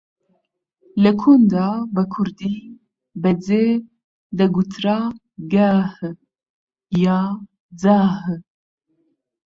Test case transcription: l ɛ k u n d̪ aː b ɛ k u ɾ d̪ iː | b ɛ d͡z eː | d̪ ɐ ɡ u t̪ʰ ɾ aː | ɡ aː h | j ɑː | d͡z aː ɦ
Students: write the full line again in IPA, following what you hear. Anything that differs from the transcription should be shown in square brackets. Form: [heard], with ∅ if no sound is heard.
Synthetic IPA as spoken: l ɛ [kʰ] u n d̪ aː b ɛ [kʰ] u ɾ d̪ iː | b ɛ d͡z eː | d̪ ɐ ɡ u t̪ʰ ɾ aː | ɡ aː h | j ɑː | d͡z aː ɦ